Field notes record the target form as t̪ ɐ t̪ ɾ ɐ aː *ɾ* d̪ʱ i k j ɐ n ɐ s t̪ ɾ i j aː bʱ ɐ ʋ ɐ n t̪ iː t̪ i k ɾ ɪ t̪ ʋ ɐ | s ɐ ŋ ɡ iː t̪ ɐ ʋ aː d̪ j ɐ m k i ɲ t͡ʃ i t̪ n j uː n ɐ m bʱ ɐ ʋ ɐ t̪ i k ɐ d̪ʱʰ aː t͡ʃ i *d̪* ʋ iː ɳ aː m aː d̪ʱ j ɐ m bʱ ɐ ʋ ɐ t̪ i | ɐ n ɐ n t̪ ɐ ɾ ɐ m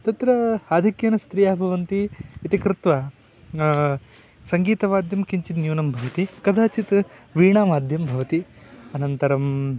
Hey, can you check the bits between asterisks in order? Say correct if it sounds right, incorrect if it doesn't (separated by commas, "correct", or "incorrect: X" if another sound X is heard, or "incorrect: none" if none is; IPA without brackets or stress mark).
incorrect: none, incorrect: t̪